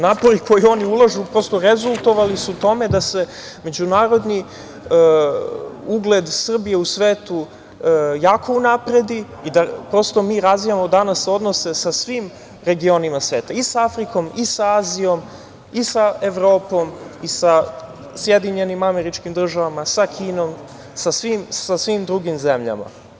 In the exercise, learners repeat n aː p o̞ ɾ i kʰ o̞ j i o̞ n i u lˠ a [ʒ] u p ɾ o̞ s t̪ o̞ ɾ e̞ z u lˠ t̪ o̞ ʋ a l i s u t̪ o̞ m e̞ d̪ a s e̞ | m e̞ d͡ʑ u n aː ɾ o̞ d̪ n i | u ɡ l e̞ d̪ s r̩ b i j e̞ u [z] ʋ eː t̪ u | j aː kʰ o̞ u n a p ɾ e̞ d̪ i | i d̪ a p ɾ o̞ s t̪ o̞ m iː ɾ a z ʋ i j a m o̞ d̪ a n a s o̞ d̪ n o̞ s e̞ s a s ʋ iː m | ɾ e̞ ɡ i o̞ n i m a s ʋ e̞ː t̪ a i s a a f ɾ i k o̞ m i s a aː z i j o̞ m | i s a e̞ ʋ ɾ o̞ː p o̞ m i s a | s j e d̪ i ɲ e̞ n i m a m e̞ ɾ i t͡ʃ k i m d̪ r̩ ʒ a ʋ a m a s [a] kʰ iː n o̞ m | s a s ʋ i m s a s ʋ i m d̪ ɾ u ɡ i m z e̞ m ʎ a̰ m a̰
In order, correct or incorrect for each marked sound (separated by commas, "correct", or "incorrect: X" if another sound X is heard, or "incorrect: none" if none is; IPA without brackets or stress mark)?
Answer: correct, incorrect: s, correct